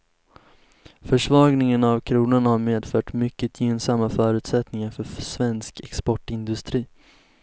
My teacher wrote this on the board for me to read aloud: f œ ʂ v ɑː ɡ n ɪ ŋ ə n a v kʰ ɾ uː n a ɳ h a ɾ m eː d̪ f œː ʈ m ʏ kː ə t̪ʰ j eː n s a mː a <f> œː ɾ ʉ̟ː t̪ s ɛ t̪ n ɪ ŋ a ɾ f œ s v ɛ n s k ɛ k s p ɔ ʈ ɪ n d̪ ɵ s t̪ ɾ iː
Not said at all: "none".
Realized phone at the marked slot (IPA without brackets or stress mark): f